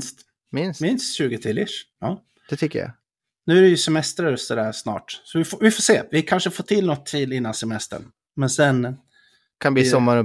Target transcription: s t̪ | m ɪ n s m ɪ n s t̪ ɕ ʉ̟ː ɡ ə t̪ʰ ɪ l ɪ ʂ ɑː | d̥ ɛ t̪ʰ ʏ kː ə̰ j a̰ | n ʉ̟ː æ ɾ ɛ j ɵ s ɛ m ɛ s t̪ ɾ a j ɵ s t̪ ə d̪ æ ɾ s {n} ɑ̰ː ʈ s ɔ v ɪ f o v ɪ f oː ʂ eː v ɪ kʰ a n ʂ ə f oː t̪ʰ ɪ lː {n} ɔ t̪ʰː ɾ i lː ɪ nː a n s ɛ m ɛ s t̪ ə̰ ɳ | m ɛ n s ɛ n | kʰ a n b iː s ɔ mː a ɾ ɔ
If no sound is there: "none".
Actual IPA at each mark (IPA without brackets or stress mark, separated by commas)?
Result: n, n